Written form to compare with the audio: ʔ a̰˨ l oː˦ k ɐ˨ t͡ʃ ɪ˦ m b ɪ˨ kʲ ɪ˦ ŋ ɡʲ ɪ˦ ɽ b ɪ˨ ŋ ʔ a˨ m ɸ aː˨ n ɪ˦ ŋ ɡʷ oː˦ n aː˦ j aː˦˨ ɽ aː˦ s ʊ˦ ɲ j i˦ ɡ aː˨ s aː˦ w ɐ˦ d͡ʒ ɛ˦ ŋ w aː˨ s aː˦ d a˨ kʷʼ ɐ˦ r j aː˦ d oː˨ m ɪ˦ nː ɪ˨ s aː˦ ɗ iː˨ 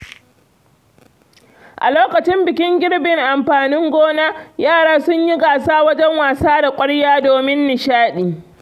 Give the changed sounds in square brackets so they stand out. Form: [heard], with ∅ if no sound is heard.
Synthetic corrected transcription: ʔ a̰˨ l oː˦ k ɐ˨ t͡ʃ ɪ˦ m b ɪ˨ kʲ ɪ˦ ŋ ɡʲ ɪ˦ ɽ b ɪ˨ ŋ ʔ a˨ m ɸ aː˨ n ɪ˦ ŋ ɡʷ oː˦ n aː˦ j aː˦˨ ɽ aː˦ s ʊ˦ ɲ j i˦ ɡ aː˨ s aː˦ w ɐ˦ d͡ʒ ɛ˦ ŋ w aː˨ s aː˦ d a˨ kʷʼ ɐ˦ [ɽ] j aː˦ d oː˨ m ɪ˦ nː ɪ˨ [ʃ] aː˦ ɗ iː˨

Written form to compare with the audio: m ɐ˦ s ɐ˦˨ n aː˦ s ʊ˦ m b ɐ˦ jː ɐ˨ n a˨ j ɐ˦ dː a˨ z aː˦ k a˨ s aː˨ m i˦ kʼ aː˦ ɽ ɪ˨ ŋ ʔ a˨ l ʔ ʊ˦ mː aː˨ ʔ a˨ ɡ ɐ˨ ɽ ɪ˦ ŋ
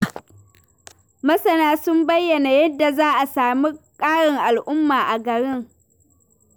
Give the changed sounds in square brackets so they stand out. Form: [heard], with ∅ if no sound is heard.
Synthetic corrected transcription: m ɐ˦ s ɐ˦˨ n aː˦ s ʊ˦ m b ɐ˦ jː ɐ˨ n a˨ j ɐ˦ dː a˨ z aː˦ [ʔ] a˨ s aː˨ m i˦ kʼ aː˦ ɽ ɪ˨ ŋ ʔ a˨ l ʔ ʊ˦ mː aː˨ ʔ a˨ ɡ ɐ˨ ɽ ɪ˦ ŋ

